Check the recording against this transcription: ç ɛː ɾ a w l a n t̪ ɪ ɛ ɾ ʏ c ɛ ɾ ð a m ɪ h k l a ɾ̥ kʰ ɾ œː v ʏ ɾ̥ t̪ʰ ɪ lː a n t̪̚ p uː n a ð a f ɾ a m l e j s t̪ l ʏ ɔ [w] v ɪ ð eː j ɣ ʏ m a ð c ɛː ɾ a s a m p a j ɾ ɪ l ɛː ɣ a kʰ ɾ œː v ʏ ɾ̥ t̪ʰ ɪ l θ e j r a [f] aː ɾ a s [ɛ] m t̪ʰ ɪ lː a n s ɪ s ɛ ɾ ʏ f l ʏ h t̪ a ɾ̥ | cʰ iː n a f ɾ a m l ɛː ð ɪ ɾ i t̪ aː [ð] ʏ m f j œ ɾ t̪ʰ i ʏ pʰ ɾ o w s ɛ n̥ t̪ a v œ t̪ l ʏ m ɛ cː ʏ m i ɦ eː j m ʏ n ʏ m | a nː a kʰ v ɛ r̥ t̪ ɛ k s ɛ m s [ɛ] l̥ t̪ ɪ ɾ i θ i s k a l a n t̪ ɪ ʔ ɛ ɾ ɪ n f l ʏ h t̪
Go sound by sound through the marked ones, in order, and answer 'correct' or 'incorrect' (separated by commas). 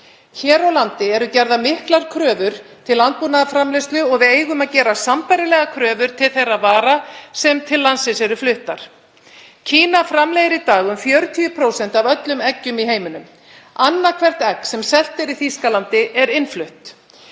incorrect, incorrect, correct, incorrect, correct